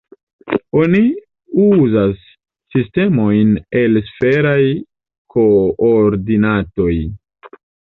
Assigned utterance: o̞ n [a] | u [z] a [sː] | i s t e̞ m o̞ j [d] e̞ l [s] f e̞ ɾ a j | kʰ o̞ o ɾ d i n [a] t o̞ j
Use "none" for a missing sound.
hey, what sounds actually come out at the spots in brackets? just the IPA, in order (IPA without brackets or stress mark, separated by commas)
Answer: i, z, sː, n, s, a